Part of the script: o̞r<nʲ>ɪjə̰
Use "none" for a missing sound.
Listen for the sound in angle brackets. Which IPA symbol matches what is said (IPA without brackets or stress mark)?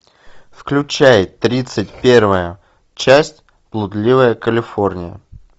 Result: nʲ